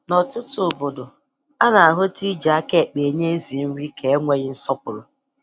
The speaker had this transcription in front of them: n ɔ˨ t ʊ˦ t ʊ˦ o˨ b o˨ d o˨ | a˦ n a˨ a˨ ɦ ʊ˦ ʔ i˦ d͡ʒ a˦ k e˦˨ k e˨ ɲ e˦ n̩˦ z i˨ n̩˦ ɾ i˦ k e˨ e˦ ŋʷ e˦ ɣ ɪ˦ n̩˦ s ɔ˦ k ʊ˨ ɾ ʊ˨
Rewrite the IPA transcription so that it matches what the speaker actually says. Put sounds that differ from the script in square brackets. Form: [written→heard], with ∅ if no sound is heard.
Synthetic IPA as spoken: n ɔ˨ t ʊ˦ t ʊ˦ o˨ b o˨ d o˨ | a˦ n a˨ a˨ ɦ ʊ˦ [ʔ→t] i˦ d͡ʒ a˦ k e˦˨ [k→k͡p] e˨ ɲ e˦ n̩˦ z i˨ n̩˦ ɾ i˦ k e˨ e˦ ŋʷ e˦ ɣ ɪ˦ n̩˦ s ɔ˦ [k→p] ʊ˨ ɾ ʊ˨